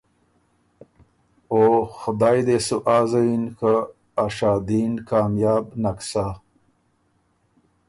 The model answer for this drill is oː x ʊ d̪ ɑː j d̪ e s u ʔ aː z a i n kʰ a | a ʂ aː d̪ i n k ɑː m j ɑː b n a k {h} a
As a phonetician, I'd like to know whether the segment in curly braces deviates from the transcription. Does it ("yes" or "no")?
yes